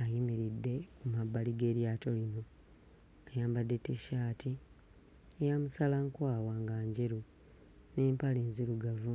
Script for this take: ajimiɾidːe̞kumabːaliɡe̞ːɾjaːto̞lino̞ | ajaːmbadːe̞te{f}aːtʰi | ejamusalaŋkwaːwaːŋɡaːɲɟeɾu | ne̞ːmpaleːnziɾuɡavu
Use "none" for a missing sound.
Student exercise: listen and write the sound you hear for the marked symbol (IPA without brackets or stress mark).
ʃ